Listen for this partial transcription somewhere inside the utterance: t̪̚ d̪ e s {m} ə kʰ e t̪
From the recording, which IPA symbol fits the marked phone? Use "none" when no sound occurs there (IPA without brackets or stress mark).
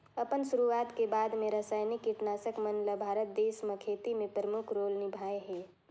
m